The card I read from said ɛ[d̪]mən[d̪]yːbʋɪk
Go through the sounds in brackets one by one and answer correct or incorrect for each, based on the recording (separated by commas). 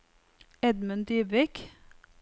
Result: correct, correct